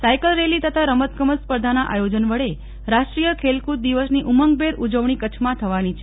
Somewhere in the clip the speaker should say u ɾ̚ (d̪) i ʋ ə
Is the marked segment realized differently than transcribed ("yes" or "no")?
no